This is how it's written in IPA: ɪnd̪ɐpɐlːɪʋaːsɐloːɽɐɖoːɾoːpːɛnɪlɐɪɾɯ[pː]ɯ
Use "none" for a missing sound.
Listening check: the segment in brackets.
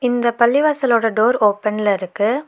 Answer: kː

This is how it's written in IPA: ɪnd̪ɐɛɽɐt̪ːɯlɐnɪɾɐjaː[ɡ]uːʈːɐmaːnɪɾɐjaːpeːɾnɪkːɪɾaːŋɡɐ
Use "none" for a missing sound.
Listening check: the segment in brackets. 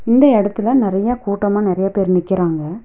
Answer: k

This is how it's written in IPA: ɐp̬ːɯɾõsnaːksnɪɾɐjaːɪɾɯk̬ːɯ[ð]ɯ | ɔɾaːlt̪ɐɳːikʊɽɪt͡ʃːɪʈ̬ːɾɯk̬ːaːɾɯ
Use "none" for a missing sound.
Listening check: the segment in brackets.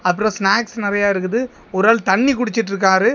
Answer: ð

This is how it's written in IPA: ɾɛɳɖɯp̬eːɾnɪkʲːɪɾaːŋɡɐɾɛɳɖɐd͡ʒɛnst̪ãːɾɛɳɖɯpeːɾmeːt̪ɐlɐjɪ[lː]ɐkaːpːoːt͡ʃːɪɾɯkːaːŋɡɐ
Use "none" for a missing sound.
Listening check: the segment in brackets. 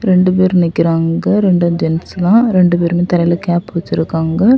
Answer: l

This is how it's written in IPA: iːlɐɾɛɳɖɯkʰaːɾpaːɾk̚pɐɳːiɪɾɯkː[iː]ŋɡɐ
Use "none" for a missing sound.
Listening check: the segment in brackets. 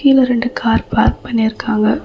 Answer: aː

